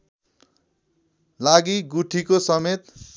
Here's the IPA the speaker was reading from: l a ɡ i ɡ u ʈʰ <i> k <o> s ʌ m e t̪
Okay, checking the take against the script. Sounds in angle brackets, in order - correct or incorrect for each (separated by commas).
correct, correct